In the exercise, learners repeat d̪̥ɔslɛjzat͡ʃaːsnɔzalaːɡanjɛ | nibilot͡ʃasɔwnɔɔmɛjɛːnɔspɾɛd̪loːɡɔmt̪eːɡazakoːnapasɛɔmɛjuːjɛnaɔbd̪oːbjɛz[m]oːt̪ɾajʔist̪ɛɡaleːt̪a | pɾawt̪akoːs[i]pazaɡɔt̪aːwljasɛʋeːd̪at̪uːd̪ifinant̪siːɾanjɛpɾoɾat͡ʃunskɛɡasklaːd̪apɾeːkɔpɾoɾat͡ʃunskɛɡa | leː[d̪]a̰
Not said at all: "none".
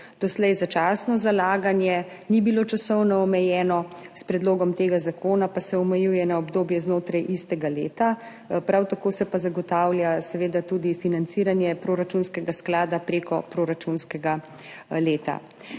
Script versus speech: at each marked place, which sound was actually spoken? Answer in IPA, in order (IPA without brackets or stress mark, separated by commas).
n, ɛ, t̪